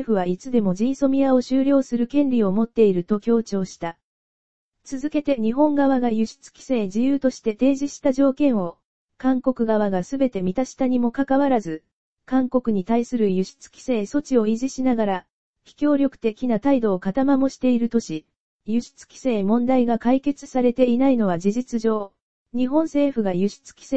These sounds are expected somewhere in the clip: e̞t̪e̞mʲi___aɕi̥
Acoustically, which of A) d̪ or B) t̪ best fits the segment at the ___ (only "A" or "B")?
B